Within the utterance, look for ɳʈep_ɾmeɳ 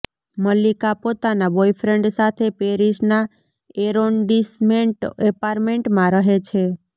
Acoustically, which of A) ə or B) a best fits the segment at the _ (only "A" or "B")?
B